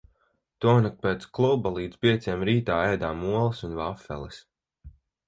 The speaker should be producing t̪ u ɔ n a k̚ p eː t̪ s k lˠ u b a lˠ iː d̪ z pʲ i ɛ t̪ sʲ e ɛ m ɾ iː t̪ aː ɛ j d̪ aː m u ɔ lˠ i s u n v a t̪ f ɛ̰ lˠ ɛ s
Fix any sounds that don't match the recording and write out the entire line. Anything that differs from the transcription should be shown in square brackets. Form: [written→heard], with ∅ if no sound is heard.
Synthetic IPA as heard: t̪ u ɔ n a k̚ p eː t̪ s k lˠ u b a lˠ iː d̪ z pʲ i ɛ t̪ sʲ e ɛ m ɾ iː t̪ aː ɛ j d̪ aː m u ɔ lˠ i s u n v a [t̪→∅] f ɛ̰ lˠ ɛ s